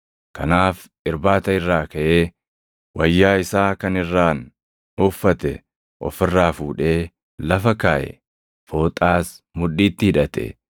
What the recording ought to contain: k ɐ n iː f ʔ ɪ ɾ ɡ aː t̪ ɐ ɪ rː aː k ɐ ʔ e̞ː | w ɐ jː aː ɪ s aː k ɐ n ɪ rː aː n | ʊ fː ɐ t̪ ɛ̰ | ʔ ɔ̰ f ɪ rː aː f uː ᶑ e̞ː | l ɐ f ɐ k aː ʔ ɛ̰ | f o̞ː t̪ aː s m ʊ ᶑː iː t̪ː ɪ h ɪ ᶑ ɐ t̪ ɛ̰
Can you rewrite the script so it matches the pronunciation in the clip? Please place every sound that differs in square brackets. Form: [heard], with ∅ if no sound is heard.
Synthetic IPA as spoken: k ɐ n [aː] f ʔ ɪ ɾ [b] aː t̪ ɐ ɪ rː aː k ɐ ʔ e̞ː | w ɐ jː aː ɪ s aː k ɐ n ɪ rː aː n | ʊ fː ɐ t̪ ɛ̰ | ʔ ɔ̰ f ɪ rː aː f uː ᶑ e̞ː | l ɐ f ɐ k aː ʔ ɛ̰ | f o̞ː [t̪ʼ] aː s m ʊ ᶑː iː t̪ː ɪ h ɪ ᶑ ɐ t̪ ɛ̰